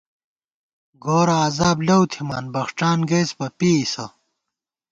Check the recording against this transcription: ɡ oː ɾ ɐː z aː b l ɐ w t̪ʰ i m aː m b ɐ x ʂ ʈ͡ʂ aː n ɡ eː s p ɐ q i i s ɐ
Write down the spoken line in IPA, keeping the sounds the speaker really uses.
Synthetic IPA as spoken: ɡ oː ɾ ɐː z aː b l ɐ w t̪ʰ i m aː n b ɐ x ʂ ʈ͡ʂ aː n ɡ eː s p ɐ p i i s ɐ